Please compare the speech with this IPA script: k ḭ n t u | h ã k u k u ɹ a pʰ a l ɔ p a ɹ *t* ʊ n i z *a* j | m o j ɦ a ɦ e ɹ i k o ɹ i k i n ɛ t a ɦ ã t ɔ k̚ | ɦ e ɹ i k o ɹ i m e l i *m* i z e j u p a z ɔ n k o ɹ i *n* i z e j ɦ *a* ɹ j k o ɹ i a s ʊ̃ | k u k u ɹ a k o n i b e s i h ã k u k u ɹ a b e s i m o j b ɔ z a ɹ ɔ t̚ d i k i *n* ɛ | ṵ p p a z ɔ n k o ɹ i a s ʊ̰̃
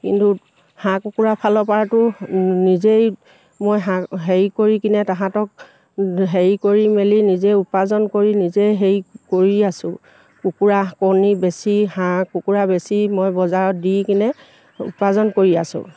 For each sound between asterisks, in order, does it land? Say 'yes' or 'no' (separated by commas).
yes, no, no, yes, no, yes